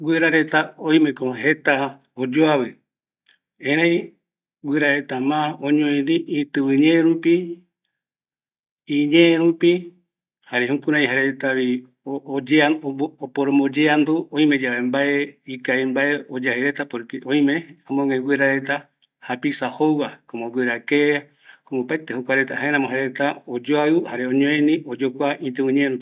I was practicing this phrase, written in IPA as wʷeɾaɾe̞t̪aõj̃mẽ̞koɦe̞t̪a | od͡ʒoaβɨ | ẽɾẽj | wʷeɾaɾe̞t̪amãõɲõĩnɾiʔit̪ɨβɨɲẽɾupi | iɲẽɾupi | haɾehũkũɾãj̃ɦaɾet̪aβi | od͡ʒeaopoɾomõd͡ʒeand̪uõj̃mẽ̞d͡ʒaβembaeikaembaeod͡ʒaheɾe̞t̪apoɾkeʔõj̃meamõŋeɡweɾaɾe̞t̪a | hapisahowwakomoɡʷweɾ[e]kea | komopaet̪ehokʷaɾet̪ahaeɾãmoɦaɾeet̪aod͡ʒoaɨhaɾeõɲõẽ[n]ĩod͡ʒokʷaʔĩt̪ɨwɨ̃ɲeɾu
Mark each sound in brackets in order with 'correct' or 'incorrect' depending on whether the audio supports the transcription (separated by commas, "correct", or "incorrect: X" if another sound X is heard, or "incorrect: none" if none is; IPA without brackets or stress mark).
incorrect: a, correct